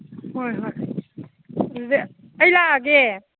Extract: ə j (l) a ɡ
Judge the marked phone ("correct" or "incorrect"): correct